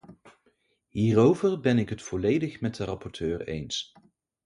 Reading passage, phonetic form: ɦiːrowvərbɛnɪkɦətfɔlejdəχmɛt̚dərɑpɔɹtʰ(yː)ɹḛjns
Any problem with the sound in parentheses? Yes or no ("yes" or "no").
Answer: yes